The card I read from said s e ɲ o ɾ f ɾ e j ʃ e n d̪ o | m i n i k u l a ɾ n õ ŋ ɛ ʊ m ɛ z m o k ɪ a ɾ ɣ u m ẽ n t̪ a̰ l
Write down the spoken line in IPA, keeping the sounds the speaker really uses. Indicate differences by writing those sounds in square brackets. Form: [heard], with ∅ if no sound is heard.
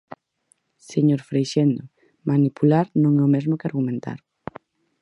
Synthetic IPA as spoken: s e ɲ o ɾ f ɾ e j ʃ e n d̪ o | m [a] n i [p] u l a ɾ n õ ŋ ɛ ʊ m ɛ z m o k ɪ a ɾ ɣ u m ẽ n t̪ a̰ [ɾ]